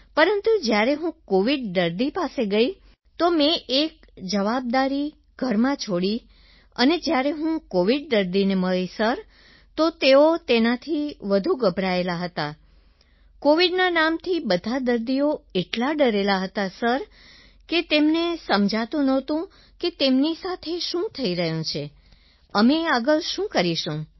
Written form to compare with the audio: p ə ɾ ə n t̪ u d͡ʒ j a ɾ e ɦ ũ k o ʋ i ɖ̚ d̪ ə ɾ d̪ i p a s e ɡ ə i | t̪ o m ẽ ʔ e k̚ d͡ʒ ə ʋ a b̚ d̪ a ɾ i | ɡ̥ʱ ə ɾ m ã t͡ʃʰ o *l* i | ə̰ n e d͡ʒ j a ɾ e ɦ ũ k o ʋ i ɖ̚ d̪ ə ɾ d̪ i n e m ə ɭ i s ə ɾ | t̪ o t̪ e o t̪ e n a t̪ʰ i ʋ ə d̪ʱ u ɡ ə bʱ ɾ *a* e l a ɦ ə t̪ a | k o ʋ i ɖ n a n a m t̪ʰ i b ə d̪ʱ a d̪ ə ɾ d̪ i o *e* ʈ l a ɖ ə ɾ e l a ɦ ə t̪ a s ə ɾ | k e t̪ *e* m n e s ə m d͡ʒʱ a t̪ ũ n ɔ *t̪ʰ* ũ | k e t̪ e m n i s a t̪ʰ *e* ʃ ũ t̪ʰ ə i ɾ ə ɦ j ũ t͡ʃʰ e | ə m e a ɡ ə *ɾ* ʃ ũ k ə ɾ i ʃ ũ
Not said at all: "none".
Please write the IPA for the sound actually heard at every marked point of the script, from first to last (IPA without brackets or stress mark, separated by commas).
ɽ, a, e, e, t̪, e, ɭ